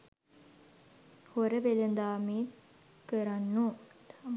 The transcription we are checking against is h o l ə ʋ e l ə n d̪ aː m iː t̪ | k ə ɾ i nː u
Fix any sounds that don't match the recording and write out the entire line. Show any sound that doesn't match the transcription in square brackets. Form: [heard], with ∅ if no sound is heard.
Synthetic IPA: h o [ɾ] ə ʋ e l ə n d̪ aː m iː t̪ | k ə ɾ [a] nː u